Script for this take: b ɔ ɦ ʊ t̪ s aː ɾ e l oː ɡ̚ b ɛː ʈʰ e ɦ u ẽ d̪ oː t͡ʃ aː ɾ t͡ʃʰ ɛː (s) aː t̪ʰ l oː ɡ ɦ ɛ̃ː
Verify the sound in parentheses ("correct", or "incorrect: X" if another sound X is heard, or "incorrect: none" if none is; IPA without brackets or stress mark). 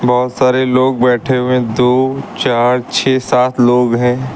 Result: correct